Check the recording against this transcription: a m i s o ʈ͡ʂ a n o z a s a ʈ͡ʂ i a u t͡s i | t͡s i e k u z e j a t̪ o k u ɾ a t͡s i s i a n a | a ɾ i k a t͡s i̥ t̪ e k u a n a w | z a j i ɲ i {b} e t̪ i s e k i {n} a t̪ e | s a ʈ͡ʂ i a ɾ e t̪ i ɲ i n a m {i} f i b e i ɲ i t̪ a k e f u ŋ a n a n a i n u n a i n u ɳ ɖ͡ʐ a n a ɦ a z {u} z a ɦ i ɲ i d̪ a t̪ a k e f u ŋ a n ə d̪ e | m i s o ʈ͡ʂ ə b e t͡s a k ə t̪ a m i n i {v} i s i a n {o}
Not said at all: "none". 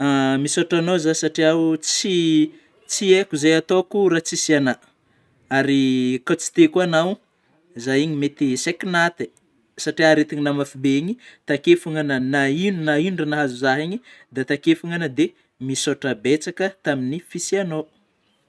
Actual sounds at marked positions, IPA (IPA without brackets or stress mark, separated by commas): m, n, a, u, f, o